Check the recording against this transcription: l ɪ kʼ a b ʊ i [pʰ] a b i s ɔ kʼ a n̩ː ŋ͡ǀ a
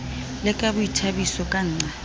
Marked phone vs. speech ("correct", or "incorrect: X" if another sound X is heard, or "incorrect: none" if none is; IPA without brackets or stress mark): incorrect: tʰ